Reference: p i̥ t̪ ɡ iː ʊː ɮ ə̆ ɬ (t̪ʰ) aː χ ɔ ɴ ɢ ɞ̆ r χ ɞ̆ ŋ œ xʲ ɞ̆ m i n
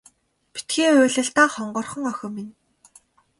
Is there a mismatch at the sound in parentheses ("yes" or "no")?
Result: yes